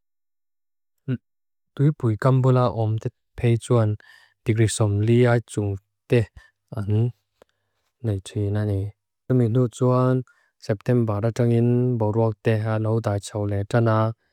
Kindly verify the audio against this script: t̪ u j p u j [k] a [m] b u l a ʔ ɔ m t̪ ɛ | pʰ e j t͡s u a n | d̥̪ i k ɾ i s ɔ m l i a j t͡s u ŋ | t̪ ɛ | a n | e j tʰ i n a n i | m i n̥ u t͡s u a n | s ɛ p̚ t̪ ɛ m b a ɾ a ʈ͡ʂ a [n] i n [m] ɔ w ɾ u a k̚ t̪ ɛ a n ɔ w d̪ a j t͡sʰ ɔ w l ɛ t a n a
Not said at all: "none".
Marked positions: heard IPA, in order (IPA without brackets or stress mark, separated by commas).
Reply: k, m, ŋ, b